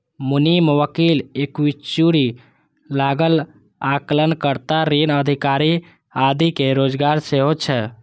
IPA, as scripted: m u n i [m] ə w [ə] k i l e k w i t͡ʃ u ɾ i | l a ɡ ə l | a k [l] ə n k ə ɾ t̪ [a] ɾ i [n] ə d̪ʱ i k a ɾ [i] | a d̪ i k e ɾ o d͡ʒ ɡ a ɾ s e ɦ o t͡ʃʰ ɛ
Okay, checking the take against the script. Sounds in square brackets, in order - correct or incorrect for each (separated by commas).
correct, correct, correct, correct, correct, correct